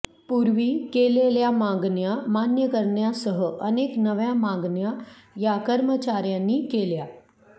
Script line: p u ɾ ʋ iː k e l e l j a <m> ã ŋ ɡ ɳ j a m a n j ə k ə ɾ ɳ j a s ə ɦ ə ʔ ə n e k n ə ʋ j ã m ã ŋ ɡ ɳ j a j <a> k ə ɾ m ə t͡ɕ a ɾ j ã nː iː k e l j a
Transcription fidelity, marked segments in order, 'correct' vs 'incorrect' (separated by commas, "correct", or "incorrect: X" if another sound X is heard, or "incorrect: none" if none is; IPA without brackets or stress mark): correct, correct